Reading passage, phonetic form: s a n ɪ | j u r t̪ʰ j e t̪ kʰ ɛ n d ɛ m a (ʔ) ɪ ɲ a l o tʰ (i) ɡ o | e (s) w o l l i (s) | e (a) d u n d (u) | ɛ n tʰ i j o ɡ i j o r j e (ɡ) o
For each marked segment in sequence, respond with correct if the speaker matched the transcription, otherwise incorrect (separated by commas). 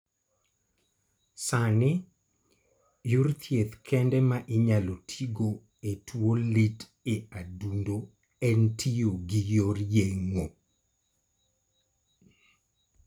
correct, correct, incorrect, incorrect, correct, incorrect, incorrect